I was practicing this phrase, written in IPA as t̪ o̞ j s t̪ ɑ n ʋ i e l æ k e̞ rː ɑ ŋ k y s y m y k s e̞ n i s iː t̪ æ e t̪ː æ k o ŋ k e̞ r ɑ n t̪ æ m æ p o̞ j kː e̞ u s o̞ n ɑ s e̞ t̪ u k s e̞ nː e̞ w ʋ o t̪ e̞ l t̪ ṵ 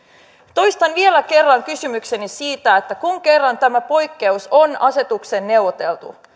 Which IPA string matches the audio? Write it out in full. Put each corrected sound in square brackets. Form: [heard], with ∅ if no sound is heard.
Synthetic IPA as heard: t̪ o̞ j s t̪ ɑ n ʋ i e l æ k e̞ rː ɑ ŋ k y s y m y k s e̞ n i s iː t̪ æ e t̪ː æ k [u] ŋ k e̞ [rː] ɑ n t̪ æ m æ p o̞ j kː e̞ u s o̞ n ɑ s e̞ t̪ u k s e̞ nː e̞ w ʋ o t̪ e̞ l t̪ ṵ